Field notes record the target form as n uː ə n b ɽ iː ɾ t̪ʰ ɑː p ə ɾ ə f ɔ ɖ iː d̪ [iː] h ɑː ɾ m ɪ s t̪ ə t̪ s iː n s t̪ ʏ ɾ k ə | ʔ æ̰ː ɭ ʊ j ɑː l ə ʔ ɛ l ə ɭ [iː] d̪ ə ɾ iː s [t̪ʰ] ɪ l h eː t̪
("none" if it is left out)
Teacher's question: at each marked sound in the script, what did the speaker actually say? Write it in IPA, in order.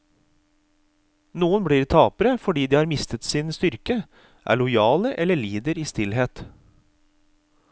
iː, iː, t̪

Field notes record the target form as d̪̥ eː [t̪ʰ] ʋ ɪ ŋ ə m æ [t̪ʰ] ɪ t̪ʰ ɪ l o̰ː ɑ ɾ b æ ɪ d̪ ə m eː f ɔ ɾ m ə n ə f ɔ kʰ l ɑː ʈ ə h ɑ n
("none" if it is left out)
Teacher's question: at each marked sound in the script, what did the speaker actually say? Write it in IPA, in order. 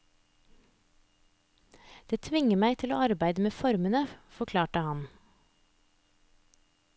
t̪ʰ, none

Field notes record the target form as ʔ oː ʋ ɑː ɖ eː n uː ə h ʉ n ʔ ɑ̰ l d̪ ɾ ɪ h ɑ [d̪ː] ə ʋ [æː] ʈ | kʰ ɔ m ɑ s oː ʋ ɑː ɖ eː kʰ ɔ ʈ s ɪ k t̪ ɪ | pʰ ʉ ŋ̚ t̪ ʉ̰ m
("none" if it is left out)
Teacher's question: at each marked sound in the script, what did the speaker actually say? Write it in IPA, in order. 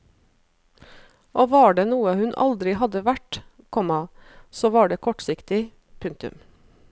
d̪, æ

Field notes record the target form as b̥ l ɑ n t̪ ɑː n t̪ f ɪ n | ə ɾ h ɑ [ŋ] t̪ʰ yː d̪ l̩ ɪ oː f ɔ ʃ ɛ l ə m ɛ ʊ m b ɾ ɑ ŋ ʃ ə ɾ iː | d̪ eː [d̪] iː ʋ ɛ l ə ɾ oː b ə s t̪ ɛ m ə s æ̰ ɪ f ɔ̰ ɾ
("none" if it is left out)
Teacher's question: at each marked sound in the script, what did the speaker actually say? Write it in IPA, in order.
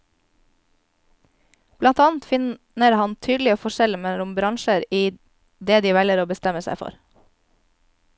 n, d̪

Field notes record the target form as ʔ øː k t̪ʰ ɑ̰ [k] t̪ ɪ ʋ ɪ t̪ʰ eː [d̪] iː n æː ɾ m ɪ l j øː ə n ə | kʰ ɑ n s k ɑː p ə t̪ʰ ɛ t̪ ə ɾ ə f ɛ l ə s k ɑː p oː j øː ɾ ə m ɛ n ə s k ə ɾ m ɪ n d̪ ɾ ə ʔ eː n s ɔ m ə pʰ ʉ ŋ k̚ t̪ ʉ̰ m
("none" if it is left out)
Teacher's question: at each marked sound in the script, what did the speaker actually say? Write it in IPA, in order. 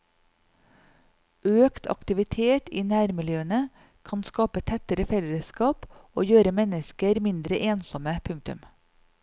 k, t̪

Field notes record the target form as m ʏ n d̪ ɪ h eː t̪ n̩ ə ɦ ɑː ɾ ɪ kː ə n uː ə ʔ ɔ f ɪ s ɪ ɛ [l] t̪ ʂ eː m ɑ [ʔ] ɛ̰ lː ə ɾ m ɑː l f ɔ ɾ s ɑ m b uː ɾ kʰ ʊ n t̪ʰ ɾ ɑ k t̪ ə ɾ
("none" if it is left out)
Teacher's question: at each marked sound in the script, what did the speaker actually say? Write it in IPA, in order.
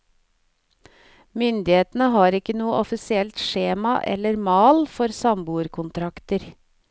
l, ʔ

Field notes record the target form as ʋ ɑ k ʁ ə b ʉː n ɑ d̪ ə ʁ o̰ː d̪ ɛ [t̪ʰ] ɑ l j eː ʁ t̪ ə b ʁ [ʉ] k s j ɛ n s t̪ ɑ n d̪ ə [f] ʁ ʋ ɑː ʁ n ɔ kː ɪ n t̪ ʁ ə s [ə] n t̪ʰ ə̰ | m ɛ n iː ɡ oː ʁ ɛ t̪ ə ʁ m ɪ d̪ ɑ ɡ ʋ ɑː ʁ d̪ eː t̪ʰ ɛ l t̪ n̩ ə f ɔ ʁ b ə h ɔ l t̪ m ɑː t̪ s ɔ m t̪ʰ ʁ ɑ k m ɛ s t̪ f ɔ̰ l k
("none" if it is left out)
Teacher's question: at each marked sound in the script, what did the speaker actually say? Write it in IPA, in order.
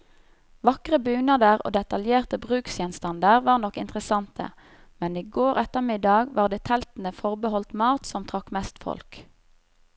t̪, ʉː, none, ɑ

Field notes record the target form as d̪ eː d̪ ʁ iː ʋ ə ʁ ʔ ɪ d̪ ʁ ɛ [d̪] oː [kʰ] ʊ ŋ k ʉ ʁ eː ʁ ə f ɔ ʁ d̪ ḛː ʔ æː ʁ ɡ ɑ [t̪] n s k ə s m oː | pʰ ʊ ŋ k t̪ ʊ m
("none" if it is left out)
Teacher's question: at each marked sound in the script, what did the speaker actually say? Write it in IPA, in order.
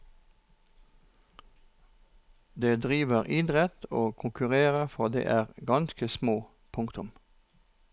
t̪, kʰ, none

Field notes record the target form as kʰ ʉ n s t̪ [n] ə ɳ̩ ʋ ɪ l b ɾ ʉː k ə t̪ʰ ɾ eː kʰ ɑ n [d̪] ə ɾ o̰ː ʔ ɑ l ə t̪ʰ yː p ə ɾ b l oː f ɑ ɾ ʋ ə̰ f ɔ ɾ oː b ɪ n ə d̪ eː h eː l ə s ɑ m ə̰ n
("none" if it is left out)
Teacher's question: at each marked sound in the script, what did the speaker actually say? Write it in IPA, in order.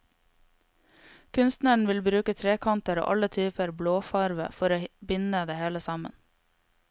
n, t̪

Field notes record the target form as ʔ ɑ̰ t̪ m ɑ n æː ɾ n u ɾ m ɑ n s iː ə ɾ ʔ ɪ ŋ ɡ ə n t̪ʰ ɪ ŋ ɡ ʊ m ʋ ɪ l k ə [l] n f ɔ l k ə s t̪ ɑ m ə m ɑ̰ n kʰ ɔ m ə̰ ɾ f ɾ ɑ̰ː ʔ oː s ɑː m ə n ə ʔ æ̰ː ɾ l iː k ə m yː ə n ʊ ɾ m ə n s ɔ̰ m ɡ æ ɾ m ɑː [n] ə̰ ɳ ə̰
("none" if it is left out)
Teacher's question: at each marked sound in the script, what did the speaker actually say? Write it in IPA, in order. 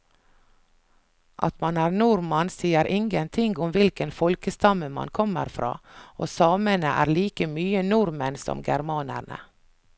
none, n

